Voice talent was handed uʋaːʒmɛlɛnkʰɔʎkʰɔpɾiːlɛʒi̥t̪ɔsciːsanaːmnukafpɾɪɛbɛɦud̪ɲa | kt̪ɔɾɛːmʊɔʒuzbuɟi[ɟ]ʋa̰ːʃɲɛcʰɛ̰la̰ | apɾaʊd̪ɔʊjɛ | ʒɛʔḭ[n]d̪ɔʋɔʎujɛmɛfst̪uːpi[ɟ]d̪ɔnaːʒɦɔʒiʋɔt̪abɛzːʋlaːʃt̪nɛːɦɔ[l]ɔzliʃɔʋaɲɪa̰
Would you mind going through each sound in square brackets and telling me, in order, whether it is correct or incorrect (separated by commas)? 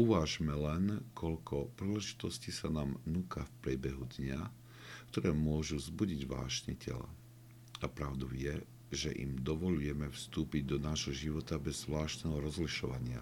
correct, incorrect, correct, incorrect